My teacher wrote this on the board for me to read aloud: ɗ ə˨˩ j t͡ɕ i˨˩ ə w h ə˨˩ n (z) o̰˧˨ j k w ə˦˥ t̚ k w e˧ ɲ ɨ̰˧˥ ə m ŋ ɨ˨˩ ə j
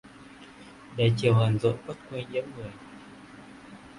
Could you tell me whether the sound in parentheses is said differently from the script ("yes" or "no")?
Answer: no